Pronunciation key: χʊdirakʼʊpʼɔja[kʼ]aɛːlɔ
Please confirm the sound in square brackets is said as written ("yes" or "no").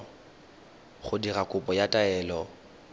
no